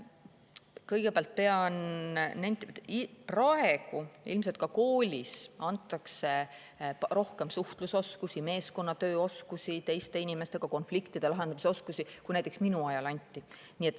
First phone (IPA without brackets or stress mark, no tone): k